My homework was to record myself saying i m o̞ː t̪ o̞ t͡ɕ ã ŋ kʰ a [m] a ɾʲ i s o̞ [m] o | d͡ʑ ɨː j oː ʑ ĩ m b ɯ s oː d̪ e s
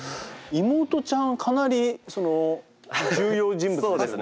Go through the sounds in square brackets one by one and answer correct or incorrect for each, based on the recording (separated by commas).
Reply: incorrect, incorrect